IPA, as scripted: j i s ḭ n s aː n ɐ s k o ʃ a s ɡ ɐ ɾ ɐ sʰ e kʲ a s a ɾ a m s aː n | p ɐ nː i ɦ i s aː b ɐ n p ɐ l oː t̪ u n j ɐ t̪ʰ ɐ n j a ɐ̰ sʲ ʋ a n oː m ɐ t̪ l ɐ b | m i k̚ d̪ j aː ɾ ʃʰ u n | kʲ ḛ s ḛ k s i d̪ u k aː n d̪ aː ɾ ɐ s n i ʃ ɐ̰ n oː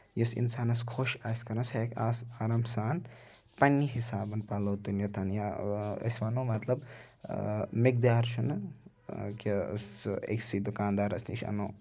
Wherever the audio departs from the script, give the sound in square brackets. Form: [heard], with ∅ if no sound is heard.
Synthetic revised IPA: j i s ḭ n s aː n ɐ s [kʰ] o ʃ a s [k] ɐ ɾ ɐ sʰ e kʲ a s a ɾ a m s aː n | p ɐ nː i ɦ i s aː b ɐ n p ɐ l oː t̪ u n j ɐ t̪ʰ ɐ n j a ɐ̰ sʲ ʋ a n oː m ɐ t̪ l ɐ b | m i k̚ d̪ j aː ɾ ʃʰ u n | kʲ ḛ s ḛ k s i d̪ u k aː n d̪ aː ɾ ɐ s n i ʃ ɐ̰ n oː